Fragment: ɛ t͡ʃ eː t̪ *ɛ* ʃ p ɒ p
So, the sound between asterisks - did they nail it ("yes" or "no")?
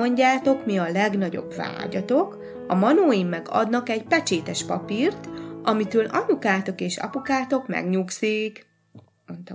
yes